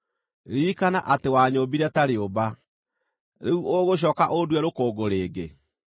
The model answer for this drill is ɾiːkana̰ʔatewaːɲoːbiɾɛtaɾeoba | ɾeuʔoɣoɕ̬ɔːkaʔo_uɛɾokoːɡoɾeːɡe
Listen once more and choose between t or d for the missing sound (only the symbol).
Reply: d